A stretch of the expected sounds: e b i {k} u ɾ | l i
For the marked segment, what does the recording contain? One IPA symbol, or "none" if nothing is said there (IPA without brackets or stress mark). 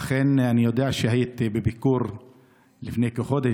k